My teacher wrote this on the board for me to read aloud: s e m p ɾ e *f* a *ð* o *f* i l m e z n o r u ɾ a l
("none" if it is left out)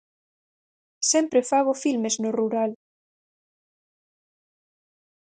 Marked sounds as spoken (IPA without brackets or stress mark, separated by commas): f, ɣ, f